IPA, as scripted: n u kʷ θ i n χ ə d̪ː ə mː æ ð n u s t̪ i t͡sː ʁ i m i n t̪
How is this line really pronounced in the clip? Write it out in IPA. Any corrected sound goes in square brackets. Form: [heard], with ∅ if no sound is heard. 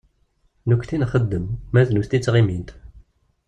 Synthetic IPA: n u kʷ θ i n χ ə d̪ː ə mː æ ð n u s t̪ i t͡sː ʁ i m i n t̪